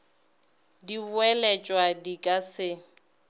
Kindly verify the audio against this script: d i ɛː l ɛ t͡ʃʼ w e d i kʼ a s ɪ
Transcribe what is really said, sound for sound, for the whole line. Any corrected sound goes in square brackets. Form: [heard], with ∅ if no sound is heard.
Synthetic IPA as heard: d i [ɛ] l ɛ t͡ʃʼ w [a] d i kʼ a s ɪ